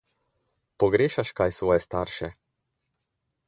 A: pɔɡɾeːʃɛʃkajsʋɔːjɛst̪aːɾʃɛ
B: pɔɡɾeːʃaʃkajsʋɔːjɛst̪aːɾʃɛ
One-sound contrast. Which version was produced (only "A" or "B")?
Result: B